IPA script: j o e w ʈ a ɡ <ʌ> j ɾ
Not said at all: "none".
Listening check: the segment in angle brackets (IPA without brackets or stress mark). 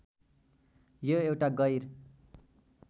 ʌ